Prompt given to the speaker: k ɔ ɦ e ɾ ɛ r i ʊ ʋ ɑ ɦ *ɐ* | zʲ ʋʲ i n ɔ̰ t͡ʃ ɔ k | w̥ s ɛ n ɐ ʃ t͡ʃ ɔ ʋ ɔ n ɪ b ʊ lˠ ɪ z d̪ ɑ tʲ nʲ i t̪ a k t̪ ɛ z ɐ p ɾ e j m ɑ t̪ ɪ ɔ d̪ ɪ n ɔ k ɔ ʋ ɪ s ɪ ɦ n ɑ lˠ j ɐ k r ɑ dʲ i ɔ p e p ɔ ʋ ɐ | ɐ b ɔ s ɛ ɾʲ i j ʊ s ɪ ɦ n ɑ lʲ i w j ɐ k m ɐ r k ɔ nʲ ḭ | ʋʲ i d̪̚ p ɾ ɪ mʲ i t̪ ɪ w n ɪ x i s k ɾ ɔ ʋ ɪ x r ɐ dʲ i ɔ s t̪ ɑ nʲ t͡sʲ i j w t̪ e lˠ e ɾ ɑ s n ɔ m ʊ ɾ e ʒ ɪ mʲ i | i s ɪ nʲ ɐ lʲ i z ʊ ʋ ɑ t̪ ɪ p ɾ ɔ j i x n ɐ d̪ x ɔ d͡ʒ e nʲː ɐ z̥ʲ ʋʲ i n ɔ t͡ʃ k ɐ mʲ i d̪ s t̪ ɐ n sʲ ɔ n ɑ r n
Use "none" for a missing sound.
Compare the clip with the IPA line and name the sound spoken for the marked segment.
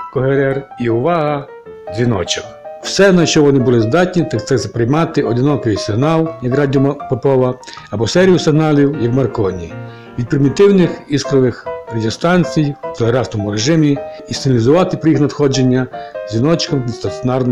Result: ɐ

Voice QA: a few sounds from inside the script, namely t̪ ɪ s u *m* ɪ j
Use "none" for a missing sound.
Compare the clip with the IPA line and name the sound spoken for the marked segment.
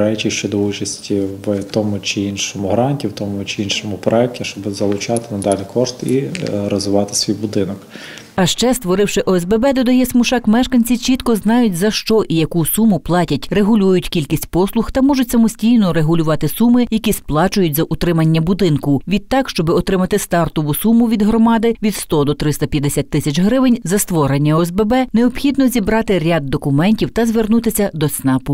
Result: m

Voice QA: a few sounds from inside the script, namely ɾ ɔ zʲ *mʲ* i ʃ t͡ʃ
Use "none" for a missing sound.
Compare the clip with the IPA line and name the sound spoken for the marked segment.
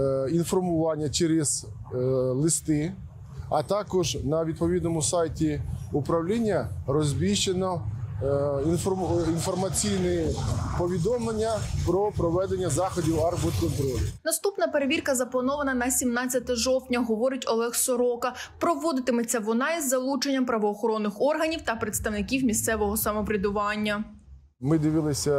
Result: bʲ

